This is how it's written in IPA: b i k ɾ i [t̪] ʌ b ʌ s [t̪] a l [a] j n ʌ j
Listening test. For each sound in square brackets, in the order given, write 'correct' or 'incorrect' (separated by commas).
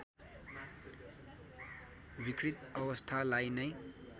correct, incorrect, correct